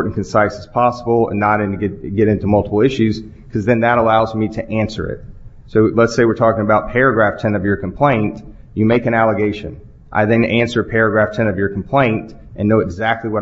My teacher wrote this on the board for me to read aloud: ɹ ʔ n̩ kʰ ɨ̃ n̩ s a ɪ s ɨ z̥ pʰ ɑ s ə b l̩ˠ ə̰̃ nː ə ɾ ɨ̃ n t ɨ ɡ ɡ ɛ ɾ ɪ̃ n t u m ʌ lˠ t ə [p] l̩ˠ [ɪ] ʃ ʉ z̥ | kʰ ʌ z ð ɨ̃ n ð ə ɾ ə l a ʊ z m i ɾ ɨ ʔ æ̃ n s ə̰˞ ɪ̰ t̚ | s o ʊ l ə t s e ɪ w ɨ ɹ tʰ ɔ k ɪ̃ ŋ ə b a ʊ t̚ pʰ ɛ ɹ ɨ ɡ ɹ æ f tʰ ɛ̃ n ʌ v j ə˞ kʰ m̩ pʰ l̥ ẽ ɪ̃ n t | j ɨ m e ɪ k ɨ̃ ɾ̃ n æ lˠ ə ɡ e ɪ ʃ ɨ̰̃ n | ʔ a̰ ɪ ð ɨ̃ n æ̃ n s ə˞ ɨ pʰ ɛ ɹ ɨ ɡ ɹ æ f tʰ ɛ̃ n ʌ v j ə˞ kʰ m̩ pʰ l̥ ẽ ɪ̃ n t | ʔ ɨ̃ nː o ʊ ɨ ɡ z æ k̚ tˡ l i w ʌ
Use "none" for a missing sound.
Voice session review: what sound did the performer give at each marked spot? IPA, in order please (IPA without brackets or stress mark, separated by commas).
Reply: p, ɪ